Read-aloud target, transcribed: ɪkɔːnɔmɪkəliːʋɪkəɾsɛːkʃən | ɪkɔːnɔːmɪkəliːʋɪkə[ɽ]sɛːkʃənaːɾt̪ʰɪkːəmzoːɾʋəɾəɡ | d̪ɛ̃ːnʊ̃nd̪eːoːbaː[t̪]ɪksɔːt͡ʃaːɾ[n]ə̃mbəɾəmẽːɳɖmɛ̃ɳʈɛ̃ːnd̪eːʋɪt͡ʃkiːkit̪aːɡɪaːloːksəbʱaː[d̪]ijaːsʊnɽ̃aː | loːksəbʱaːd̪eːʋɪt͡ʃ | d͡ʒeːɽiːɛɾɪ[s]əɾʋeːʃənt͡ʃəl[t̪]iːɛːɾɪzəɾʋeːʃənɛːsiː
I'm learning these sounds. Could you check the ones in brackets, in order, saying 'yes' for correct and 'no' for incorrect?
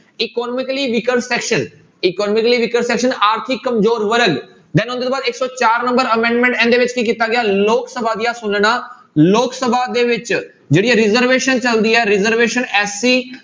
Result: no, no, yes, yes, no, no

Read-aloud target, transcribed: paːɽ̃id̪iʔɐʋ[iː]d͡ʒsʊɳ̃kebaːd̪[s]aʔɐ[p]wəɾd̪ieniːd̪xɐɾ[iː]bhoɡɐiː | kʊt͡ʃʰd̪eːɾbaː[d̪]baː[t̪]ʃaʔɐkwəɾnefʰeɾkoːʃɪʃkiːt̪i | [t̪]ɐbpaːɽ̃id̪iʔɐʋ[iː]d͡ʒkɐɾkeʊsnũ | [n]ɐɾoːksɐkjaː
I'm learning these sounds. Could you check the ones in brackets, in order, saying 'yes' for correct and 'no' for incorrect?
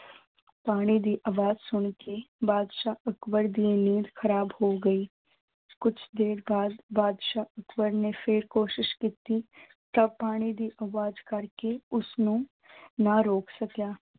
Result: no, no, no, no, yes, no, yes, no, yes

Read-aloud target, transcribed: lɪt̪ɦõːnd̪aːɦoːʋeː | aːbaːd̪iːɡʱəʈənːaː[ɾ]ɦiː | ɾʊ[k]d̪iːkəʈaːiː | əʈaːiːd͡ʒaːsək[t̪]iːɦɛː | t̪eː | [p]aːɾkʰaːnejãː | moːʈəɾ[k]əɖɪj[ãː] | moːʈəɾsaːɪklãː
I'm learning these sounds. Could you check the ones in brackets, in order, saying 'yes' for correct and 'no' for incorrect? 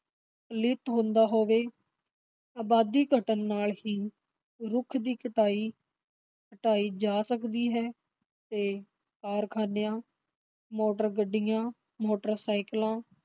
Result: no, no, no, no, no, yes

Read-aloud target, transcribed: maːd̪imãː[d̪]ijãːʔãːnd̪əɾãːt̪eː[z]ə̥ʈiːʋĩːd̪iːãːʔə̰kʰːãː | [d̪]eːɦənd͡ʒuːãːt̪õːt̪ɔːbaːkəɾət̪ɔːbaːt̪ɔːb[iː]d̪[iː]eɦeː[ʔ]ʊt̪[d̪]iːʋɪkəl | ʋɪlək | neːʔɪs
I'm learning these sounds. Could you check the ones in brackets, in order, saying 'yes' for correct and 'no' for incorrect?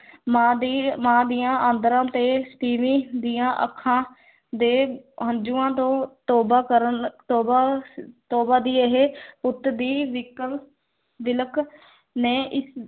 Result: yes, no, yes, no, yes, no, yes

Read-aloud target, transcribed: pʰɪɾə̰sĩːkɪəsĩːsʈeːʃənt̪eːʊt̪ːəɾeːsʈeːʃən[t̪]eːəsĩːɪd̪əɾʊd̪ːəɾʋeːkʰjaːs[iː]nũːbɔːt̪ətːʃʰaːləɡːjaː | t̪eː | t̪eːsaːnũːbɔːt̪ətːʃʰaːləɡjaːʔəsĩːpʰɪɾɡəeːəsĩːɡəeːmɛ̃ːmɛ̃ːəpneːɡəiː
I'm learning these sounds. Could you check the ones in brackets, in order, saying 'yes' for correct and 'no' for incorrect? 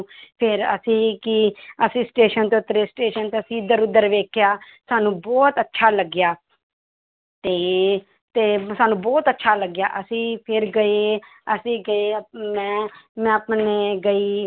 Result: yes, no

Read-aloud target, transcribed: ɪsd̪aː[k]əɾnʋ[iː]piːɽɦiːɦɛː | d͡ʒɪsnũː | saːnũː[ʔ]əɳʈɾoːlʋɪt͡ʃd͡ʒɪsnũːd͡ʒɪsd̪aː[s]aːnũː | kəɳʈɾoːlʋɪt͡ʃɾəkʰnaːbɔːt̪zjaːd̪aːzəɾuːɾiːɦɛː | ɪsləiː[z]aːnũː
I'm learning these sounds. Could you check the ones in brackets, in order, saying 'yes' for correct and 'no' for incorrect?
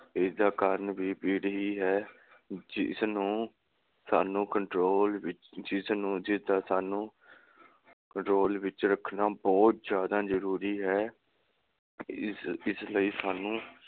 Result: yes, yes, no, yes, no

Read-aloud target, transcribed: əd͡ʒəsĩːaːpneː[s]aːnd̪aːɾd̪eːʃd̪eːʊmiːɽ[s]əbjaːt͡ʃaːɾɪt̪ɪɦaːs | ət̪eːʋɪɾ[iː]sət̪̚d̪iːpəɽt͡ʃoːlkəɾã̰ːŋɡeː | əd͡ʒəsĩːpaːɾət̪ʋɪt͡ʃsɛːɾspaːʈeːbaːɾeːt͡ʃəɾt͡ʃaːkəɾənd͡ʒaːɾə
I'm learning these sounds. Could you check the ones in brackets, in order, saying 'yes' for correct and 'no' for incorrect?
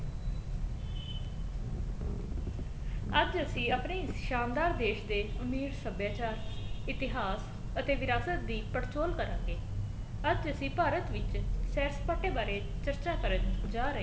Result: no, yes, no

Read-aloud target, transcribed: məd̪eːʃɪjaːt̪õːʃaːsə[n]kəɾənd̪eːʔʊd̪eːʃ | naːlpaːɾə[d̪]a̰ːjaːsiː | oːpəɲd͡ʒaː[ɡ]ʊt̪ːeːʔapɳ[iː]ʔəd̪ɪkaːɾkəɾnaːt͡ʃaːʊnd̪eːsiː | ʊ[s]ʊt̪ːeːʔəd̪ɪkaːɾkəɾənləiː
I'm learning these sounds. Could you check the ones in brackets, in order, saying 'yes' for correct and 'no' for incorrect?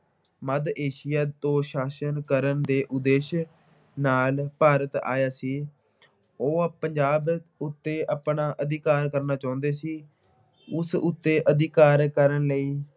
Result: yes, no, no, no, yes

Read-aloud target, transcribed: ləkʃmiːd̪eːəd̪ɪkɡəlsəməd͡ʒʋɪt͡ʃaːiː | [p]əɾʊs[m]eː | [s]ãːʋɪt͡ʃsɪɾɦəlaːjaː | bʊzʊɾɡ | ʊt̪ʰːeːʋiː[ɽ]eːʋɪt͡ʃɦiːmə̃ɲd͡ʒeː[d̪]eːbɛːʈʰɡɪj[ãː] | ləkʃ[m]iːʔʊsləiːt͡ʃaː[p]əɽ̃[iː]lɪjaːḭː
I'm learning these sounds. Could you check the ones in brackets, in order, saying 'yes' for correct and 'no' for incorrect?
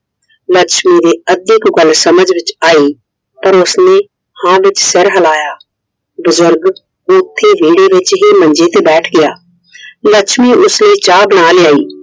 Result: yes, no, no, yes, no, no, yes, no, no

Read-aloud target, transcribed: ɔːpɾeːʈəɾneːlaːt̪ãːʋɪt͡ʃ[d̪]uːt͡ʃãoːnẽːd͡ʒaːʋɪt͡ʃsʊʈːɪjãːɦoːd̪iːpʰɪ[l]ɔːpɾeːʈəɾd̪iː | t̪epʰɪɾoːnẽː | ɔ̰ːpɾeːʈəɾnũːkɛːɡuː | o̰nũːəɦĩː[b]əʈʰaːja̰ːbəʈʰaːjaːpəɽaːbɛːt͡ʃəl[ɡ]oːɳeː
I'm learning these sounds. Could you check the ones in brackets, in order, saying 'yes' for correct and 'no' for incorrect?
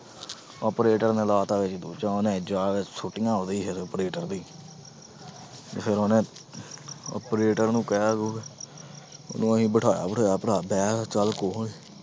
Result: yes, no, yes, no

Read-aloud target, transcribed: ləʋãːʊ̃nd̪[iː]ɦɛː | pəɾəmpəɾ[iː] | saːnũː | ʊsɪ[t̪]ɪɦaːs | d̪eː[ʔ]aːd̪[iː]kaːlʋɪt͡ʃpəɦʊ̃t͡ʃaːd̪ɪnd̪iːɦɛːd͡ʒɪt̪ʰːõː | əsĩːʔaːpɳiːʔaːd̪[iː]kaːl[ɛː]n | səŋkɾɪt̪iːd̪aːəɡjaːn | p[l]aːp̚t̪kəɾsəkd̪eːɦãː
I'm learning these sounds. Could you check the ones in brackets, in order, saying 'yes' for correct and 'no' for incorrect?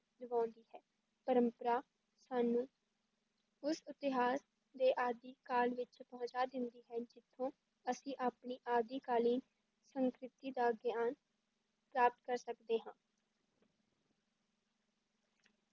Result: yes, no, yes, yes, yes, yes, no, no

